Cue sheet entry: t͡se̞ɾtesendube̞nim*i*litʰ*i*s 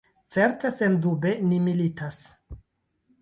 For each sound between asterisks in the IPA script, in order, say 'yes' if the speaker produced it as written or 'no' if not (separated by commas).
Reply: yes, no